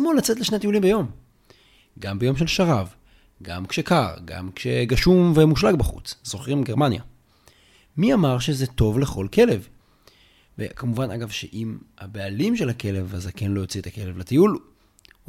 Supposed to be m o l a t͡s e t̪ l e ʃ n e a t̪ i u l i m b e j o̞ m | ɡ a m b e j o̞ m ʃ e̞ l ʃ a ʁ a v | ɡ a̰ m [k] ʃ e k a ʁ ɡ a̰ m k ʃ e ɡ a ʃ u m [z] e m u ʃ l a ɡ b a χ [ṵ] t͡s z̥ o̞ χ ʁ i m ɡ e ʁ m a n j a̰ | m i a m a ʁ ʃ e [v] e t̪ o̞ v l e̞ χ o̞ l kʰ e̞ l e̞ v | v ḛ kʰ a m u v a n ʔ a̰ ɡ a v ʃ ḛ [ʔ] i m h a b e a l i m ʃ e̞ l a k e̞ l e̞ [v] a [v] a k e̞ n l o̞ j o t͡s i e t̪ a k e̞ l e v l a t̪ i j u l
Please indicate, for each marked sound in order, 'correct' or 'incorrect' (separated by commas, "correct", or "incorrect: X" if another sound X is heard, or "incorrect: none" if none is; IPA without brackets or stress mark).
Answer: correct, incorrect: v, correct, incorrect: z, correct, correct, incorrect: z